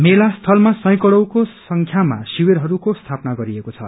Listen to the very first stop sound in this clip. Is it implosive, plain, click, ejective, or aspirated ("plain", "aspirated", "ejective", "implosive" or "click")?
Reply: aspirated